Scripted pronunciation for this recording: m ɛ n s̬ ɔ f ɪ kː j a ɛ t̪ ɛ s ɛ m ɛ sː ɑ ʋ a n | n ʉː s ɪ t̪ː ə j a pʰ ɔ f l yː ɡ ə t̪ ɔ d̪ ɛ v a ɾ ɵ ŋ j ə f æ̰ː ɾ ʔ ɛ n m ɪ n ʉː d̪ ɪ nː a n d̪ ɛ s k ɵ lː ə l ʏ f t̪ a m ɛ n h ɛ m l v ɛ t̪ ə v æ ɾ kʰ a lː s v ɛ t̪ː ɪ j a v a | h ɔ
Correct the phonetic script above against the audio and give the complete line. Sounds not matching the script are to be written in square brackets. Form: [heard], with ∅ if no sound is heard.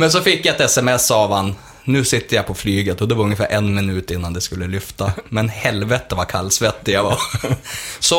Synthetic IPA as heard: m ɛ n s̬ ɔ f ɪ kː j a ɛ t̪ ɛ s ɛ m ɛ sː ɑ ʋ a n | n ʉː s ɪ t̪ː ə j a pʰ ɔ f l yː ɡ ə t̪ ɔ d̪ ɛ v a ɾ ɵ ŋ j ə f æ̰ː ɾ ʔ ɛ n m ɪ n ʉː [t̪] ɪ nː a n d̪ ɛ s k ɵ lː ə l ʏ f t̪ a m ɛ n h ɛ [∅] l v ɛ t̪ ə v [a] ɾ kʰ a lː s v ɛ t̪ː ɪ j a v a | [s] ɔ